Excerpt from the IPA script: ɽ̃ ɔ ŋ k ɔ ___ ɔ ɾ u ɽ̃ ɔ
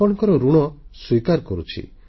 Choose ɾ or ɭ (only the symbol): ɾ